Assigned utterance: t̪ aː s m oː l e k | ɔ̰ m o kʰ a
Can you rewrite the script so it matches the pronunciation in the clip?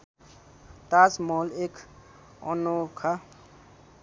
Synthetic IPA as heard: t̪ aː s m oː l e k | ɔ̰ n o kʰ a